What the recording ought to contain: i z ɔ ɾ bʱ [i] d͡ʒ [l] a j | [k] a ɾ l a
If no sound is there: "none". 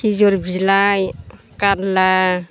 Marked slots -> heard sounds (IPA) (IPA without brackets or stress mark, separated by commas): i, l, k